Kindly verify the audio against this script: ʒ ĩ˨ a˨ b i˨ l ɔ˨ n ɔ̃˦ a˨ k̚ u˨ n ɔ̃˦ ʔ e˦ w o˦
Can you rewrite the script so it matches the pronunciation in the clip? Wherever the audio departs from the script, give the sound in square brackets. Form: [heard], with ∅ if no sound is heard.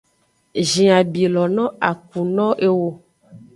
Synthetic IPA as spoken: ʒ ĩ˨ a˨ b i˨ l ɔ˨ n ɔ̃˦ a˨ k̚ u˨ n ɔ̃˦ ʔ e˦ w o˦